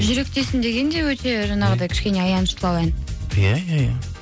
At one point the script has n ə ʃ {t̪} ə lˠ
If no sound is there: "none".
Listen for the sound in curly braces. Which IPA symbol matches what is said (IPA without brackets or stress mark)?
t̪